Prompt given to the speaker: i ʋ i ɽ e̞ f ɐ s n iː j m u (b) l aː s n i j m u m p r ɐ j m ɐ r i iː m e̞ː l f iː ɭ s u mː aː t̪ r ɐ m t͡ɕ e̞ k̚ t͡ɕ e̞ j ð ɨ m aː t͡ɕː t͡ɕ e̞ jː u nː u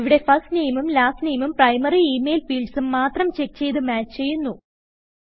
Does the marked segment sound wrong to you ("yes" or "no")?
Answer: yes